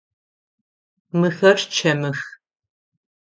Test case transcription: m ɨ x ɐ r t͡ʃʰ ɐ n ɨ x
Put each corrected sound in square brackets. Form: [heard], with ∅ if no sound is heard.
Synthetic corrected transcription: m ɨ x ɐ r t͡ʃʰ ɐ [m] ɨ x